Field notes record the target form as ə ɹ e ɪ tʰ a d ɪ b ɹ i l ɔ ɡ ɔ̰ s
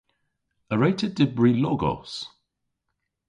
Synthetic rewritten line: ə ɹ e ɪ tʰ ə d ɪ b ɹ i l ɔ ɡ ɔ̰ s